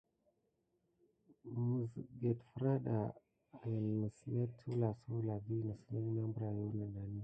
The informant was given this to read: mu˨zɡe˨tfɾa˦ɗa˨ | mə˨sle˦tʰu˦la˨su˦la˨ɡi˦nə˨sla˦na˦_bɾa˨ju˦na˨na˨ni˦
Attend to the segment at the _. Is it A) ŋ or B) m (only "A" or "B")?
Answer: B